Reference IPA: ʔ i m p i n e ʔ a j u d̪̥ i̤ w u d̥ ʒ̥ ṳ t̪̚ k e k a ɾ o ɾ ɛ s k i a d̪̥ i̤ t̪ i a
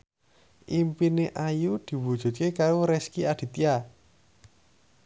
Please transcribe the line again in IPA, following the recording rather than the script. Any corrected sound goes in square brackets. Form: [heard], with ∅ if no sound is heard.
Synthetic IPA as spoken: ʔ i m p i n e ʔ a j u d̪̥ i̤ w u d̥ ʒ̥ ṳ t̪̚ k e k a ɾ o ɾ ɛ s k i a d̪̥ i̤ t̪ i a